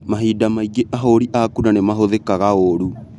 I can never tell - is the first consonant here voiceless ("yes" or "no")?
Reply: no